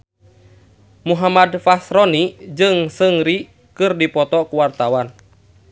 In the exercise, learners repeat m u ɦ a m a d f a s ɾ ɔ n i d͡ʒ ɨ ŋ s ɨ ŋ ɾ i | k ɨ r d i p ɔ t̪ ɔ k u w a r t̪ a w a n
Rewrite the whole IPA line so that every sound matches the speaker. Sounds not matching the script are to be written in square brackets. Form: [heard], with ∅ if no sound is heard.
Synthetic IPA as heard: m u ɦ a m a d f a s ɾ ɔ n i d͡ʒ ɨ ŋ s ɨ ŋ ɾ i | k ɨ r d i p ɔ t̪ ɔ k u w a r t̪ a w a n

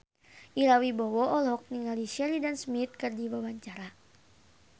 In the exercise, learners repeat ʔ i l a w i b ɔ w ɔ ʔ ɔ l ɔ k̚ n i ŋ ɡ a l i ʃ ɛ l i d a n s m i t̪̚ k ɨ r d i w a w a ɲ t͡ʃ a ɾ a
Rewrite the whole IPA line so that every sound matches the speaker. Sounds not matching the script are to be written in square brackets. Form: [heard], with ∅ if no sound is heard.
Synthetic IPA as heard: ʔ i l a w i b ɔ w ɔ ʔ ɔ l ɔ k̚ n i ŋ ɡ a l i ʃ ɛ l i d a n s m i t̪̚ k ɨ r d i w a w a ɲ t͡ʃ a ɾ a

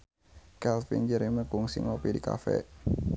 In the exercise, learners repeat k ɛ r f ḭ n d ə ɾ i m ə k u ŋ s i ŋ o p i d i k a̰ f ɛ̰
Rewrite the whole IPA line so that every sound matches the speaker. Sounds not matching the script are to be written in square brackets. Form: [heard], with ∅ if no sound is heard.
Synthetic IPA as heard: k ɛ [l] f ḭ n [d͡ʒ] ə ɾ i m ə k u ŋ s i ŋ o p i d i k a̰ f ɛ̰

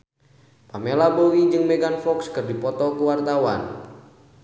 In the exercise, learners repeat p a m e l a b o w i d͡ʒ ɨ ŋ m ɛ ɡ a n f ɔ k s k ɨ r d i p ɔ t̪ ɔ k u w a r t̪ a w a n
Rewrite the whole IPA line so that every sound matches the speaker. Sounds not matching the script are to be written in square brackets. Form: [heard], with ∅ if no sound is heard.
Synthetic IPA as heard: p a m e l a b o w i d͡ʒ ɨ ŋ m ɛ ɡ a n f ɔ k s k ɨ r d i p ɔ t̪ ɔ k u w a r t̪ a w a n

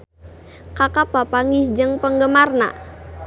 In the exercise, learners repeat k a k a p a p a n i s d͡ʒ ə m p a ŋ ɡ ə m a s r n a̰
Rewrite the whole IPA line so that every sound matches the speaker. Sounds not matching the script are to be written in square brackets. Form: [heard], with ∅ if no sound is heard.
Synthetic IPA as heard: k a k a p a p a [ŋ] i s d͡ʒ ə [ŋ] p [ə] ŋ ɡ ə m a [∅] r n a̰

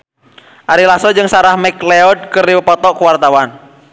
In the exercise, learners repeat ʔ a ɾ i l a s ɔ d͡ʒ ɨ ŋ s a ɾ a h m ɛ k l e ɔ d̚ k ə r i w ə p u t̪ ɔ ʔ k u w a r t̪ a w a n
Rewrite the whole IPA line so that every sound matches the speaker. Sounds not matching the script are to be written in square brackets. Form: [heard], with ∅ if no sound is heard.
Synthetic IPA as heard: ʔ a ɾ i l a s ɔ d͡ʒ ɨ ŋ s a ɾ a h m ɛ k l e ɔ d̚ k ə r i w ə p [ɔ] t̪ ɔ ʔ k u w a r t̪ a w a n

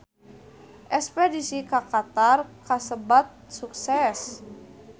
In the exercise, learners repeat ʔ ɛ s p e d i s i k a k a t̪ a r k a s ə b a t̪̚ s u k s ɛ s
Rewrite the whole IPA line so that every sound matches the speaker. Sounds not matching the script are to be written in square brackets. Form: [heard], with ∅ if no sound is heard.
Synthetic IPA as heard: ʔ ɛ s p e d i s i k a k a t̪ a r k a s ə b a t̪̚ s u k s ɛ s

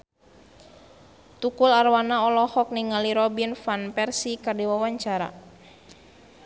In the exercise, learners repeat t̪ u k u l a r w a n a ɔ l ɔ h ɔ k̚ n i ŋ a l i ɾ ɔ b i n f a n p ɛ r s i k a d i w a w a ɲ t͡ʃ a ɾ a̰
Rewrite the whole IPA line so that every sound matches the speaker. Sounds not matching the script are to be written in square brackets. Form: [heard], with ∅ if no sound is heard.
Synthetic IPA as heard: t̪ u k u l a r w a n a ɔ l ɔ h ɔ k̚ n i ŋ a l i ɾ ɔ b i n f a n p ɛ r s i k a d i w a w a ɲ t͡ʃ a ɾ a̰

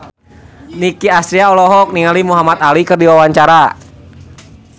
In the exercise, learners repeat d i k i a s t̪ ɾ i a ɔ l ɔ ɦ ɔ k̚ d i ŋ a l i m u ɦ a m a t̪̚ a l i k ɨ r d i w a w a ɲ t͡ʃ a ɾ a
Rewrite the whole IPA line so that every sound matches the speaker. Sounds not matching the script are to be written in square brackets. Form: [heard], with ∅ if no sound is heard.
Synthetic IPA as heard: [n] i k i a s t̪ ɾ i a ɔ l ɔ ɦ ɔ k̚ [n] i ŋ a l i m u ɦ a m a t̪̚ a l i k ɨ r d i w a w a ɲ t͡ʃ a ɾ a

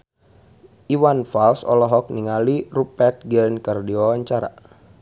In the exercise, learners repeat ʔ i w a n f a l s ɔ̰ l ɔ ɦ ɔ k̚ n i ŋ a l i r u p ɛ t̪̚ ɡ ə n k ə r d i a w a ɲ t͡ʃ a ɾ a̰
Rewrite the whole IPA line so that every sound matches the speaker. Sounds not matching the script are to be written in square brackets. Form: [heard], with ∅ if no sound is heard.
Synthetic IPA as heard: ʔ i w a n f a l s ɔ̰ l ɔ ɦ ɔ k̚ n i ŋ a l i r u p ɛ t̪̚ ɡ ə n k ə r d i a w a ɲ t͡ʃ a ɾ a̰

